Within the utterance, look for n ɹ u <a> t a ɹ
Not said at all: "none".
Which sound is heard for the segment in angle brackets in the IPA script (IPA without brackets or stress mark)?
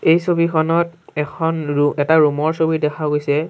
ɛ